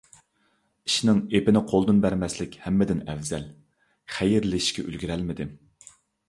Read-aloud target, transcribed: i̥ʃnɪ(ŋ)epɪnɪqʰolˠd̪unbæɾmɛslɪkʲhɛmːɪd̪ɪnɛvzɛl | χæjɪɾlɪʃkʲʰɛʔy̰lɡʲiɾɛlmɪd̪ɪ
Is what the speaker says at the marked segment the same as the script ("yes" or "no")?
yes